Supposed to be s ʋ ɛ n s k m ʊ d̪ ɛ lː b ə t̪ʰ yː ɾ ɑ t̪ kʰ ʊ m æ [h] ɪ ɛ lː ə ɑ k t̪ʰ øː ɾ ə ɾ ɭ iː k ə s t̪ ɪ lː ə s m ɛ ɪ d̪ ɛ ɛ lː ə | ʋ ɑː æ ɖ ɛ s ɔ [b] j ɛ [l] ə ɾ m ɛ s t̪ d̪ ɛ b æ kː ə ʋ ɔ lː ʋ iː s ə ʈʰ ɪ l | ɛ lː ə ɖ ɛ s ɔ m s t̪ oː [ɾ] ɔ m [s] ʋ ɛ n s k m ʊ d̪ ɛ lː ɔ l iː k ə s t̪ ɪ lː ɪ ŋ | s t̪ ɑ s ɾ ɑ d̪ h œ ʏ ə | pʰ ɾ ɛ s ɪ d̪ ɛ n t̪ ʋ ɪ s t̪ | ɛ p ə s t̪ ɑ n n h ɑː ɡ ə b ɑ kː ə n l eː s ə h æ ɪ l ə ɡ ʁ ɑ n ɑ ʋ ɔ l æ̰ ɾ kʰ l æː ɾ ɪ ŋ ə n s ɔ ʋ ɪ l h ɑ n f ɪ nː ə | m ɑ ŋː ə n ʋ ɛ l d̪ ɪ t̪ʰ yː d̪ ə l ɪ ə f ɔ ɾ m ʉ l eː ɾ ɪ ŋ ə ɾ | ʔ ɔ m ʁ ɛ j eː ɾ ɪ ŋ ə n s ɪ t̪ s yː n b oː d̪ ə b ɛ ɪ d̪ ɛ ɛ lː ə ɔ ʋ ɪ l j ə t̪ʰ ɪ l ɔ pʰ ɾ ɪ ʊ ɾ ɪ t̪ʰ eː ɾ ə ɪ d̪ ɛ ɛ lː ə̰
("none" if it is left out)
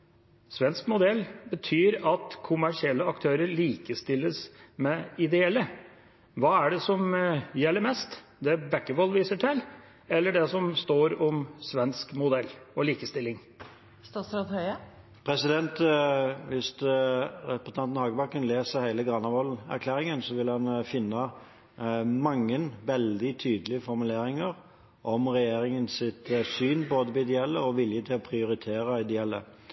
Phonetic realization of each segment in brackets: ʂ, m, lː, ɾ, s

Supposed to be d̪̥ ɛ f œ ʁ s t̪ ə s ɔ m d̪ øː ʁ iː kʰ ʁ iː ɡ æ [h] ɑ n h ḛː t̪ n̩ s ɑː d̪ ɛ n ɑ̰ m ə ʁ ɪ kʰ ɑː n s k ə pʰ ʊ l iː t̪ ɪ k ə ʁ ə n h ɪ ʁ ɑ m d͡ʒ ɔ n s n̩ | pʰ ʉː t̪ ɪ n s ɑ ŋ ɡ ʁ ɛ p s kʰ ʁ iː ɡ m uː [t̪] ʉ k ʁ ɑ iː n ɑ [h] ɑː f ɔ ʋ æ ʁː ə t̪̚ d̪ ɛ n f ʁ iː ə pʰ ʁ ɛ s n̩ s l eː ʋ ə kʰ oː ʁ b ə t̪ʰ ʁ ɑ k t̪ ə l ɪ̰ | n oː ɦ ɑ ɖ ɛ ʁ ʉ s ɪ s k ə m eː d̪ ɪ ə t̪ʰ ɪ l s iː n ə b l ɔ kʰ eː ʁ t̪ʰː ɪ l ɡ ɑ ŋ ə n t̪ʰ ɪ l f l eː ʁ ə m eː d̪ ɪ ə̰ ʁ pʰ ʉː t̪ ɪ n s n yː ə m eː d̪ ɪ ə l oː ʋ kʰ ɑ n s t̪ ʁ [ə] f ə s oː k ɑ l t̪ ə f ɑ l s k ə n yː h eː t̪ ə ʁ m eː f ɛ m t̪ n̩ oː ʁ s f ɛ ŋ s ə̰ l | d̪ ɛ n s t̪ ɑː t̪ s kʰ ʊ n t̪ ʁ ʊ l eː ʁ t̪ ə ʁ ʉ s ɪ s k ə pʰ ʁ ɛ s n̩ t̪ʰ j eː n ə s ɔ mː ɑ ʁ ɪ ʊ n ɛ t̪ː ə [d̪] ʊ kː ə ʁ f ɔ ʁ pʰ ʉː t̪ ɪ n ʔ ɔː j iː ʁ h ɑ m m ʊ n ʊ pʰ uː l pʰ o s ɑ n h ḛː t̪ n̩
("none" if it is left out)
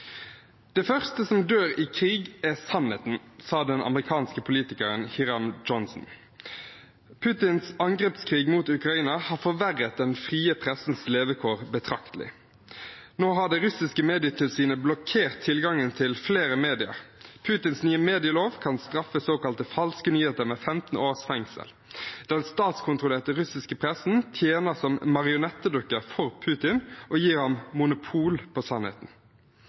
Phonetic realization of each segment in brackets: s, t̪, h, ɑ, d̪

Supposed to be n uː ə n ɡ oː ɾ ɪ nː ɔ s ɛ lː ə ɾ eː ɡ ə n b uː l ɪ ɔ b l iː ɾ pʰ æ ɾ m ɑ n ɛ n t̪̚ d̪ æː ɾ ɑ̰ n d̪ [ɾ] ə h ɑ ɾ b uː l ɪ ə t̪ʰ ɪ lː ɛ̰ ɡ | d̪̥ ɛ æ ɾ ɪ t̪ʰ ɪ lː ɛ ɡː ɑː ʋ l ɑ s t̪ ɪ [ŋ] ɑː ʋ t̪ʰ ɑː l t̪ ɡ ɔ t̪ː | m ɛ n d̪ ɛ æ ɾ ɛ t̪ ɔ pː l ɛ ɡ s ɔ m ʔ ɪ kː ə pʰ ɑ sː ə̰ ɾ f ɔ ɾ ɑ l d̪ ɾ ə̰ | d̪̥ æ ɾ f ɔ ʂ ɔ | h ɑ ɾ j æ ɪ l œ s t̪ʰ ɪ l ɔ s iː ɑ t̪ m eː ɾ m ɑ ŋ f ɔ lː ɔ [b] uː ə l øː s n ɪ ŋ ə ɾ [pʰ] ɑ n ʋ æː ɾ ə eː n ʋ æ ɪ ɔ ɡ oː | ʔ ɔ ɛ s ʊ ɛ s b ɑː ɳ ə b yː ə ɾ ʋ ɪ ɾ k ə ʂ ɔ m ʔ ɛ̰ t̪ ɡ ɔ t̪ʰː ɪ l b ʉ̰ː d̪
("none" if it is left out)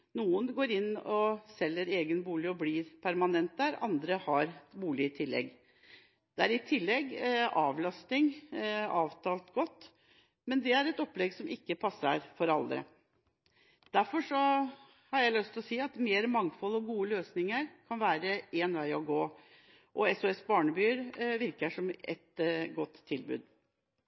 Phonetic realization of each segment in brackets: ɾ, ŋ, ɡ, kʰ

